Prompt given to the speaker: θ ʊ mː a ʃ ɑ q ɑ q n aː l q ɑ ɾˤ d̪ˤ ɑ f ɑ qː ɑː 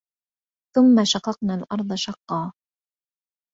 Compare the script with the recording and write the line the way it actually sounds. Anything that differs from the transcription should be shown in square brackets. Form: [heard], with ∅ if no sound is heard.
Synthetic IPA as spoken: θ ʊ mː a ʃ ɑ q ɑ q n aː l [ʔ] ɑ ɾˤ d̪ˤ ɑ [ʃ] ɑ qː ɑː

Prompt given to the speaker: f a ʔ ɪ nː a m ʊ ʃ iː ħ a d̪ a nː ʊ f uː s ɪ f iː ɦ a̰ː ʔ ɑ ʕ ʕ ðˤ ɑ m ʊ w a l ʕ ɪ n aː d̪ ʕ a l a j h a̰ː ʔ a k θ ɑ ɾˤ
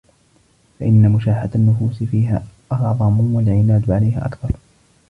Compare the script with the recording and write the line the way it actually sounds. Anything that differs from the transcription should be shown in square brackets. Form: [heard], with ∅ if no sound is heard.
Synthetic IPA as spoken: f a ʔ ɪ nː a m ʊ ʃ [aː] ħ a d̪ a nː ʊ f uː s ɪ f iː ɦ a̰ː ʔ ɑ ʕ ʕ ðˤ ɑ m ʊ w a l ʕ ɪ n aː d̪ ʕ a l a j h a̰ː ʔ a k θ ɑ ɾˤ

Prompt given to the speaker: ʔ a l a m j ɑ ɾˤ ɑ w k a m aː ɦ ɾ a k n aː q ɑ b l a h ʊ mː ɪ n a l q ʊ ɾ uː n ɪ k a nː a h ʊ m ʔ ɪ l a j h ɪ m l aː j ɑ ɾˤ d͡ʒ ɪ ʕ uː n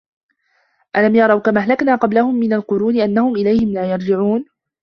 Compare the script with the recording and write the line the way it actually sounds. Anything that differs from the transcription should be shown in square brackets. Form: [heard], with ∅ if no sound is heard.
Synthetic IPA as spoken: ʔ a l a m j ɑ ɾˤ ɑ w k a m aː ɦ [l] a k n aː q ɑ b l a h ʊ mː ɪ n a l q ʊ ɾ uː n ɪ [ʔ] a nː a h ʊ m ʔ ɪ l a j h ɪ m l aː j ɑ ɾˤ d͡ʒ ɪ ʕ uː n

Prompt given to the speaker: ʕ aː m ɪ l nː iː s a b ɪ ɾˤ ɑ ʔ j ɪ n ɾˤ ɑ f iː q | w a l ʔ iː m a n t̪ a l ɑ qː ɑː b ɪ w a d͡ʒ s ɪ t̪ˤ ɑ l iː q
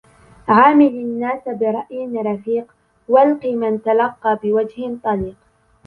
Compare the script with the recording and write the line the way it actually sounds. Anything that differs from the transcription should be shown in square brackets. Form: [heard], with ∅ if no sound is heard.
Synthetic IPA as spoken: ʕ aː m ɪ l nː [aː] s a b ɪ ɾˤ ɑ ʔ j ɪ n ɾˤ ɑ f iː q | w a l [q] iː m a n t̪ a l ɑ qː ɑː b ɪ w a d͡ʒ [h] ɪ t̪ˤ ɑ l iː q

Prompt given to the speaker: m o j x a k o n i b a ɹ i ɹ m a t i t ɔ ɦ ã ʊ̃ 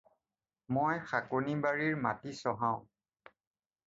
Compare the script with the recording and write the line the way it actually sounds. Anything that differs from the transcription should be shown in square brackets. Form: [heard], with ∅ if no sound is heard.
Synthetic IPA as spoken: m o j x a k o n i b a ɹ i ɹ m a t i [s] ɔ ɦ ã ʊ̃

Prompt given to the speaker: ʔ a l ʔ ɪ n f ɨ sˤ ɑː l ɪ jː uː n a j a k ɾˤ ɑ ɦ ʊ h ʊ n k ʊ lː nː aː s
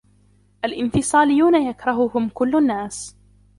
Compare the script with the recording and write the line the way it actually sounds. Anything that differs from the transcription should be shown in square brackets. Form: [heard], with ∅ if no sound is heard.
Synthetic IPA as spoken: ʔ a l ʔ ɪ n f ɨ sˤ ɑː l ɪ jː uː n a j a k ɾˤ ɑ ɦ ʊ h ʊ [m] k ʊ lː nː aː s

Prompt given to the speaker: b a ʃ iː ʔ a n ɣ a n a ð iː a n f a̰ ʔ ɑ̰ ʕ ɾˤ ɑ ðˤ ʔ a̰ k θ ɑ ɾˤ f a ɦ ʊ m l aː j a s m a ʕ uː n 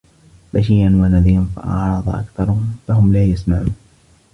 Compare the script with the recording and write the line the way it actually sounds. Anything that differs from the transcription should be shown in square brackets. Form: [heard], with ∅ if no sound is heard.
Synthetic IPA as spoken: b a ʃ iː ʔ a n [w] a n a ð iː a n f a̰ ʔ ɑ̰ ʕ ɾˤ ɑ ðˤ ʔ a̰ k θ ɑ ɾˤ f a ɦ ʊ m l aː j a s m a ʕ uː n

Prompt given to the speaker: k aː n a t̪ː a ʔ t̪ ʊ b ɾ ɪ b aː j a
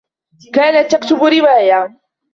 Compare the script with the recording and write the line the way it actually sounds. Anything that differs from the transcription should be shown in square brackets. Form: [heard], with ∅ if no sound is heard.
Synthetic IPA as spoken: k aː n a t̪ː a [k] t̪ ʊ b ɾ ɪ [w] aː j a

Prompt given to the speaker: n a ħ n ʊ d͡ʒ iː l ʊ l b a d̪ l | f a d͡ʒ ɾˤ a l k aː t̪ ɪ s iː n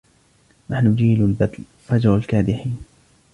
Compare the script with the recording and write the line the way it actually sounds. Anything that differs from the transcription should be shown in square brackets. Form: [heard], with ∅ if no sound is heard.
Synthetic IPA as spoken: n a ħ n ʊ d͡ʒ iː l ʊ l b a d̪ l | f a d͡ʒ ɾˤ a l k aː [d̪] ɪ [ħ] iː n

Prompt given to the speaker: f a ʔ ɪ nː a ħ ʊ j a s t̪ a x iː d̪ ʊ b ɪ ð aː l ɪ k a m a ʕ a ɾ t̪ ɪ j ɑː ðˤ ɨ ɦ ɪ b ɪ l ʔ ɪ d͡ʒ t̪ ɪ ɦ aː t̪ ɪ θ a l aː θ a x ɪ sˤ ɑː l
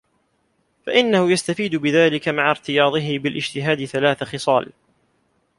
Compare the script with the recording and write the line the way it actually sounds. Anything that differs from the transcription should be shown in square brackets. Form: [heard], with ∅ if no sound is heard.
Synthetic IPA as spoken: f a ʔ ɪ nː a [h] ʊ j a s t̪ a [f] iː d̪ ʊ b ɪ ð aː l ɪ k a m a ʕ a ɾ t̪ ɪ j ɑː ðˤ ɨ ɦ ɪ b ɪ l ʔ ɪ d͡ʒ t̪ ɪ ɦ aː [d̪] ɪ θ a l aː θ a x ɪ sˤ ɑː l

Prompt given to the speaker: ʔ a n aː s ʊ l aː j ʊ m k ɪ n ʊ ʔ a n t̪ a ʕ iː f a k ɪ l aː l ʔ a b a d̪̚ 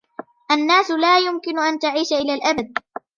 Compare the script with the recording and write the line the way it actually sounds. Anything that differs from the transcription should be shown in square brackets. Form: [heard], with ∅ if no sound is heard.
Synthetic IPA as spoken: ʔ a [nː] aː s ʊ l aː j ʊ m k ɪ n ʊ ʔ a n t̪ a ʕ iː [ʃ] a [ʔ] ɪ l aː l ʔ a b a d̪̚

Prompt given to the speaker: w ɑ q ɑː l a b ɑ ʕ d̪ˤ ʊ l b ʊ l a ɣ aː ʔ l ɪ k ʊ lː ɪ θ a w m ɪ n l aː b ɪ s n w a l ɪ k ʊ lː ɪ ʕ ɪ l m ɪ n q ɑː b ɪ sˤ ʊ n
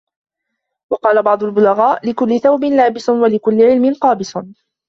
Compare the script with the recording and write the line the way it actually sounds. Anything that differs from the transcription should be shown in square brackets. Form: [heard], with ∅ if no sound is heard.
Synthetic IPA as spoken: w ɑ q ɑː l a b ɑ ʕ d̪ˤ ʊ l b ʊ l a ɣ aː ʔ l ɪ k ʊ lː ɪ θ a w [b] ɪ n l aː b ɪ s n w a l ɪ k ʊ lː ɪ ʕ ɪ l m ɪ n q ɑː b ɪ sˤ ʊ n

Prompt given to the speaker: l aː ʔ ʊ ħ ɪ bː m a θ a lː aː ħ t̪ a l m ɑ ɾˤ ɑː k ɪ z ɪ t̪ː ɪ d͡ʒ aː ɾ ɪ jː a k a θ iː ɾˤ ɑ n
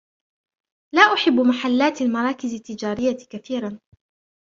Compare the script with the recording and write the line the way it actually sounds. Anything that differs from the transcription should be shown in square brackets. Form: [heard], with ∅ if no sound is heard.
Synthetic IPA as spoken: l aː ʔ ʊ ħ ɪ bː m a [ħ] a lː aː [∅] t̪ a l m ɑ ɾˤ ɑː k ɪ z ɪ t̪ː ɪ d͡ʒ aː ɾ ɪ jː a k a θ iː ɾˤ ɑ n

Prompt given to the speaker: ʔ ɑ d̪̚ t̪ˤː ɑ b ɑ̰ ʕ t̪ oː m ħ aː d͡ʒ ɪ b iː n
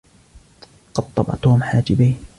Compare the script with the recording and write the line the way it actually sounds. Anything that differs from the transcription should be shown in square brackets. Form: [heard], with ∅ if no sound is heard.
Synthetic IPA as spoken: [q] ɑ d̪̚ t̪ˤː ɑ b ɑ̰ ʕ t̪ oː m ħ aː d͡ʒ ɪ b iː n

